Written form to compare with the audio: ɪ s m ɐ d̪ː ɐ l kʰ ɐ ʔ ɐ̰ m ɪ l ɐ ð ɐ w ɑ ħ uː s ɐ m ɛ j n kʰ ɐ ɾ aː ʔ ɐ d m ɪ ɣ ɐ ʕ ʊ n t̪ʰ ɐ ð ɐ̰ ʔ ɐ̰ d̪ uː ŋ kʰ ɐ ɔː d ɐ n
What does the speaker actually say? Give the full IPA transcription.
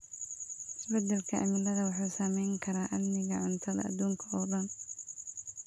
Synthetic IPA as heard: ɪ s b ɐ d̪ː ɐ l kʰ ɐ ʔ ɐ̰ m ɪ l ɐ ð ɐ w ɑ ħ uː s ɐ m ɛ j ŋ kʰ ɐ ɾ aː ʔ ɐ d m ɪ ɣ ɐ ʕ ʊ n t̪ʰ ɐ ð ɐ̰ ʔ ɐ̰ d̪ uː ŋ kʰ ɐ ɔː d ɐ n

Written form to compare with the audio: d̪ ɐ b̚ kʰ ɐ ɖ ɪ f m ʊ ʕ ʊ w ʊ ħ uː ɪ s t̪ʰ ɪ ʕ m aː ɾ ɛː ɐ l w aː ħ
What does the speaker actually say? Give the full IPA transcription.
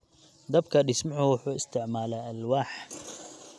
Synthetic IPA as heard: d̪ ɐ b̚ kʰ ɐ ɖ ɪ s m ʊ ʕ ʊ w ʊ ħ uː ɪ s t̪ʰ ɪ ʕ m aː l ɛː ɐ l w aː ħ

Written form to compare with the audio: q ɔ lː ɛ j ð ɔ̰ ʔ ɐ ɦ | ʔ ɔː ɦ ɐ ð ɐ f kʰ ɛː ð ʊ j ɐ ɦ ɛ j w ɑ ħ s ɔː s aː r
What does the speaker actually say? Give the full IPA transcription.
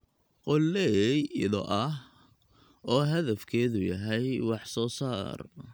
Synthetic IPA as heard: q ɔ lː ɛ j ð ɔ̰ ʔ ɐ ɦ | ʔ ɔː ɦ ɐ ð ɐ f kʰ ɛː ð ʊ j ɐ ɦ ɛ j w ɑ ħ s ɔː s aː r

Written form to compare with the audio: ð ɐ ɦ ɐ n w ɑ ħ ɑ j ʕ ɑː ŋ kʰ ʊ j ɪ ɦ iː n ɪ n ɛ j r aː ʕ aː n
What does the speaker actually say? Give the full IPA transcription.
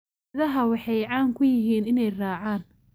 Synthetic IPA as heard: ð ɐ ɦ ɐ w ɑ ħ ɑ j ʕ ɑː ŋ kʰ ʊ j ɪ ɦ iː n ɪ n ɛ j r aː ʕ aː n

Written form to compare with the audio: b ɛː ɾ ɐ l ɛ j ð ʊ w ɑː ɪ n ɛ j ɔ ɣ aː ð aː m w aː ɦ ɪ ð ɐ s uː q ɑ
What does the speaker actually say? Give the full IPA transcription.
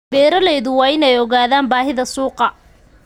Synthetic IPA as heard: b ɛː ɾ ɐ l ɛ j ð ʊ w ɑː ɪ n ɛ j ɔ ɣ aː ð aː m b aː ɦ ɪ ð ɐ s uː q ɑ

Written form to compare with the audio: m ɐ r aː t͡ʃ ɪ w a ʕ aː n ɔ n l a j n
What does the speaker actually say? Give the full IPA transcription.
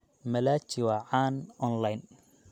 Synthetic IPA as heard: m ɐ l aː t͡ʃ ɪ w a ʕ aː n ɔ n l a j n

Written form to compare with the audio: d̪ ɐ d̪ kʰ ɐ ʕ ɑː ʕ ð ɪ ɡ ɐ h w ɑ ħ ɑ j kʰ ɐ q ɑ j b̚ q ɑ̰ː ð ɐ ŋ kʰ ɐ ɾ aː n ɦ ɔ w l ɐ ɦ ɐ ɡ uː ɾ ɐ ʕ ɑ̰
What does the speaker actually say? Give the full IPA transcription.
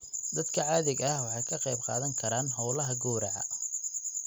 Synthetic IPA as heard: d̪ ɐ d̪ kʰ ɐ ʕ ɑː ð ɪ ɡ ɐ h w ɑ ħ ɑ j kʰ ɐ q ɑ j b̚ q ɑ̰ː ð ɐ ŋ kʰ ɐ ɾ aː n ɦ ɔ w l ɐ ɦ ɐ ɡ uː ɾ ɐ ʕ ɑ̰

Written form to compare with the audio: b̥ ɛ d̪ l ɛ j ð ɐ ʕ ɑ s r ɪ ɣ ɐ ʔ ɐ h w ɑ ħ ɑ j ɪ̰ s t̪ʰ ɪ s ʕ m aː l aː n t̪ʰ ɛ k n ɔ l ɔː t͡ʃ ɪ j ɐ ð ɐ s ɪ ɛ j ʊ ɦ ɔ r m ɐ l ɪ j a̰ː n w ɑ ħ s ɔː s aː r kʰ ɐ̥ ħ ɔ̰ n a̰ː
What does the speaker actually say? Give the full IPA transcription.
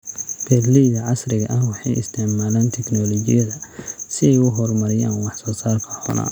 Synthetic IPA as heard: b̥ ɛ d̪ l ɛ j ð ɐ ʕ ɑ s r ɪ ɣ ɐ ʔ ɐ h w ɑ ħ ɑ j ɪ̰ s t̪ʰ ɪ ʕ m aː l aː n t̪ʰ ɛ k n ɔ l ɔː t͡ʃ ɪ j ɐ ð ɐ s ɪ ɛ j ʊ ɦ ɔ r m ɐ ɾ ɪ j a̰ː n w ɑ ħ s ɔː s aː r kʰ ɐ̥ ħ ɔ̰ n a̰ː

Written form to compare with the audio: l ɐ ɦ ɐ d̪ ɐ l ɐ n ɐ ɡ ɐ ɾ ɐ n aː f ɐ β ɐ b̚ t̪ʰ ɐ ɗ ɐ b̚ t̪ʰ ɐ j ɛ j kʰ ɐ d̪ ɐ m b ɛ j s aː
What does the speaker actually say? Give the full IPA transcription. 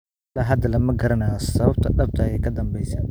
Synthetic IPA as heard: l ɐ ɦ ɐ d̪ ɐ l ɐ m ɐ ɡ ɐ ɾ ɐ n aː s ɐ β ɐ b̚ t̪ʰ ɐ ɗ ɐ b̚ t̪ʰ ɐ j ɛ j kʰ ɐ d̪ ɐ m b ɛ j s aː

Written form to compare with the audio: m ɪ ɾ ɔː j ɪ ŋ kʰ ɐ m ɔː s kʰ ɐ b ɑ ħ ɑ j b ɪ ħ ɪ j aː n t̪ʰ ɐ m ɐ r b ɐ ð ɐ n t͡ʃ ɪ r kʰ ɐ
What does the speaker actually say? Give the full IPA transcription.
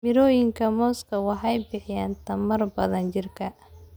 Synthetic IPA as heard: m ɪ ɾ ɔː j ɪ ŋ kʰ ɐ m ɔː s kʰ ɐ w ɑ ħ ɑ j b ɪ ħ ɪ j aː n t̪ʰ ɐ m ɐ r b ɐ ð ɐ n t͡ʃ ɪ r kʰ ɐ

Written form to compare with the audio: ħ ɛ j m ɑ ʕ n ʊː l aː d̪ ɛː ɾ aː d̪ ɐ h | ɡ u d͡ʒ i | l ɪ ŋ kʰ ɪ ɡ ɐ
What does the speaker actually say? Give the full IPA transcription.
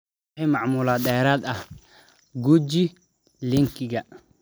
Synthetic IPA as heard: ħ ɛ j m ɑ ʕ m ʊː l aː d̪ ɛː ɾ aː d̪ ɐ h | ɡ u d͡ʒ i | l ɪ ŋ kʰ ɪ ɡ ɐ

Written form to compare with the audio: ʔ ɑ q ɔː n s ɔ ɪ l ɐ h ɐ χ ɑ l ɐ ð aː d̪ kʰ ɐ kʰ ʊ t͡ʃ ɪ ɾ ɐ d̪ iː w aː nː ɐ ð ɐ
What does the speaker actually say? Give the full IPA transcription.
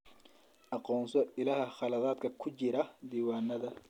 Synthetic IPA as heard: ʔ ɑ q ɔː n s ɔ ɪ l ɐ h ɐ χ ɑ l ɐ ð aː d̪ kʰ ɐ kʰ ʊ t͡ʃ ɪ ɾ ɐ d̪ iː w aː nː ɐ ð ɐ

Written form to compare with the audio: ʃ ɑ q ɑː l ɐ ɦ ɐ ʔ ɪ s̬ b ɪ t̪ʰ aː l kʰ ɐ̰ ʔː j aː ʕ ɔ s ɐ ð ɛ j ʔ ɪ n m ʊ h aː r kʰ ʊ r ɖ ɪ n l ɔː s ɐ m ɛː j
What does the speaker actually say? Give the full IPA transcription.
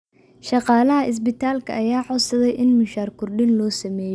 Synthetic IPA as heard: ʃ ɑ q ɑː l ɐ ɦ ɐ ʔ ɪ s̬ b ɪ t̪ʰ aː l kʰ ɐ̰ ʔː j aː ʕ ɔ s ɐ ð ɛ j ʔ ɪ n m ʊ ʃ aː r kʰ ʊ r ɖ ɪ n l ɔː s ɐ m ɛː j

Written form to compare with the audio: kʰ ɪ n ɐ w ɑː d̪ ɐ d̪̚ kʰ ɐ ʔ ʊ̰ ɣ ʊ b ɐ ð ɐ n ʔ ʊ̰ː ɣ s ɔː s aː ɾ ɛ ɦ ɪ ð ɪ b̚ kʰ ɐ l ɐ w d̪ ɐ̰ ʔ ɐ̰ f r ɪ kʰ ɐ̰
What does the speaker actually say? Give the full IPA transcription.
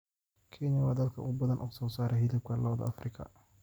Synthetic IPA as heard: kʰ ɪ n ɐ w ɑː d̪ ɐ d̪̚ kʰ ɐ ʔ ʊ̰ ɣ ʊ b ɐ ð ɐ n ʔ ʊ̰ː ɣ s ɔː s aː ɾ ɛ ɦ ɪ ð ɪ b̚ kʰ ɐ l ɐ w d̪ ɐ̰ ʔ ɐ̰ f r ɪ kʰ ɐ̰

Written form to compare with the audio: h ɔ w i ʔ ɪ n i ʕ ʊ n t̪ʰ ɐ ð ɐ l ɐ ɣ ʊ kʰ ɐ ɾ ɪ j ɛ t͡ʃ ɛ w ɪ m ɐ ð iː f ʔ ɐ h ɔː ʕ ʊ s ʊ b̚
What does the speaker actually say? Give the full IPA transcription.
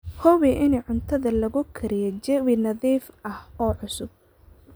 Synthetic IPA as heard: h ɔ w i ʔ ɪ n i ʕ ʊ n t̪ʰ ɐ ð ɐ l ɐ ɣ ʊ kʰ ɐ ɾ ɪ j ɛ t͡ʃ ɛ w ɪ n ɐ ð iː f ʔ ɐ h ɔː ʕ ʊ s ʊ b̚

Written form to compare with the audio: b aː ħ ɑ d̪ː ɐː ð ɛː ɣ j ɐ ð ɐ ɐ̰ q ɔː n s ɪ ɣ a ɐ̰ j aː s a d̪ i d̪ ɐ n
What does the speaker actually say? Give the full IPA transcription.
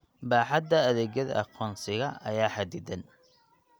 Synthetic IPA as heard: b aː ħ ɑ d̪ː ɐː ð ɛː ɣ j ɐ ð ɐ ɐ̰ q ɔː n s ɪ ɣ ɐ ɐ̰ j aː ħ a d̪ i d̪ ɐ n

